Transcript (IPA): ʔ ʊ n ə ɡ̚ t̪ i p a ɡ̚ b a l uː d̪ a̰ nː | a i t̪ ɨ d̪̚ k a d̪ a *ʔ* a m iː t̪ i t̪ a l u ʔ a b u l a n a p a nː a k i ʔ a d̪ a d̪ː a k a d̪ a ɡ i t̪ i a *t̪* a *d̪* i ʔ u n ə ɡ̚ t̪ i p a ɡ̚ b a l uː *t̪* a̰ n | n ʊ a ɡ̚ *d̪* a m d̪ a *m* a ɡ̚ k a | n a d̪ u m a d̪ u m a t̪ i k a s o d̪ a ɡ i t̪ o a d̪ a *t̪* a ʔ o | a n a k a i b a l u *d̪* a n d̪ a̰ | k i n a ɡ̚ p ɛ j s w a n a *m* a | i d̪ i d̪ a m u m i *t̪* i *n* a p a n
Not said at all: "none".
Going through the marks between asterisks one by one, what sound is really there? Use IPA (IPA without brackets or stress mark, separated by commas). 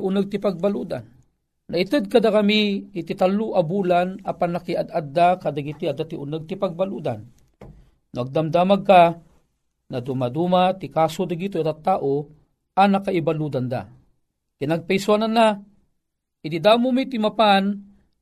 k, d̪, t̪, d̪, d̪, m, t̪, d̪, n, t̪, m